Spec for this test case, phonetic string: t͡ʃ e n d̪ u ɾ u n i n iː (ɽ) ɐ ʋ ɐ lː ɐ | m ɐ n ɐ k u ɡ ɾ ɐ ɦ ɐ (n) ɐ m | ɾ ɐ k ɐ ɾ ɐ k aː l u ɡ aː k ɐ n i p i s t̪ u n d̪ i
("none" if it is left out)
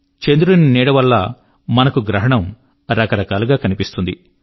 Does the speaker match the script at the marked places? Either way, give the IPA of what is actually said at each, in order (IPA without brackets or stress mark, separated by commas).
ɽ, ɳ